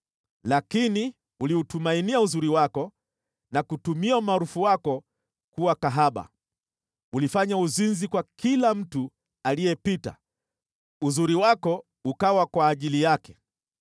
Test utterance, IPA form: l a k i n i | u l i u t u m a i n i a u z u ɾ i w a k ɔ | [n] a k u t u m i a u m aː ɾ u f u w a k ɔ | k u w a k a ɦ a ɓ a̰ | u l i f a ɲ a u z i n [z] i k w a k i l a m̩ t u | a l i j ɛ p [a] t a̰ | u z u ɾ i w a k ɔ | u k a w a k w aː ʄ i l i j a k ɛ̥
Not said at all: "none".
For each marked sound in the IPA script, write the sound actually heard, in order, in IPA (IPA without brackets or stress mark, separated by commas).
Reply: n, z, i